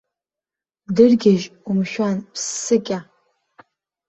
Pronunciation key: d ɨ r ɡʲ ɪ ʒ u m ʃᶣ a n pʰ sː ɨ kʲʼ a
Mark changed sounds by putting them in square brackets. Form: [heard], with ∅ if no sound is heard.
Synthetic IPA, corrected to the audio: d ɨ r ɡʲ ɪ ʒ u m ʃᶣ a n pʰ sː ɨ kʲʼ a